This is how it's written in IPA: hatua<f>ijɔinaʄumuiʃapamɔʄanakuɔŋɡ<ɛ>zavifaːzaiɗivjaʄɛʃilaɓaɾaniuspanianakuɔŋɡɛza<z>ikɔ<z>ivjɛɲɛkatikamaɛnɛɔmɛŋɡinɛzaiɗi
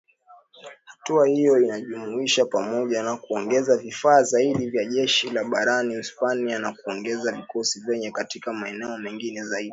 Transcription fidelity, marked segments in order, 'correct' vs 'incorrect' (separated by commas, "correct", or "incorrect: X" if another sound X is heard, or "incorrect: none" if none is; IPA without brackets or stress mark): incorrect: h, correct, incorrect: v, incorrect: s